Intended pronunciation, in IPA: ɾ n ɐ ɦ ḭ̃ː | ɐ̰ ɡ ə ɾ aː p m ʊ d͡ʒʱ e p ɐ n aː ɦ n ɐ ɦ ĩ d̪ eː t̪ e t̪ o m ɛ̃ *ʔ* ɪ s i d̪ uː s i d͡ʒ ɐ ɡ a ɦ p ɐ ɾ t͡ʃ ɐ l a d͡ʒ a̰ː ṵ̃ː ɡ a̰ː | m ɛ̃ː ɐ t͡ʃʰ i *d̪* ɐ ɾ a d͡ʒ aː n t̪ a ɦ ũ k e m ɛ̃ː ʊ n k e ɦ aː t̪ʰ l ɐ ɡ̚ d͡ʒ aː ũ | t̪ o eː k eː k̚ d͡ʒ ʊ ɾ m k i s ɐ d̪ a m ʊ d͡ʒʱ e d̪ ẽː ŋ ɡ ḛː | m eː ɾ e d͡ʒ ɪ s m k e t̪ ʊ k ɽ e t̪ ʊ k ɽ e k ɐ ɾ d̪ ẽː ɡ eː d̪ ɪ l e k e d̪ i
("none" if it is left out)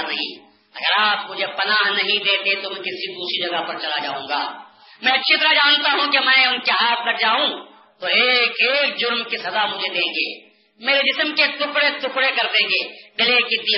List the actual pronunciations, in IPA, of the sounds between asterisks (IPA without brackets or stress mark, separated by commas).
k, t̪